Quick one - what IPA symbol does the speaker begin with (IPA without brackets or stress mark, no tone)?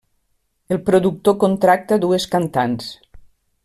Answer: e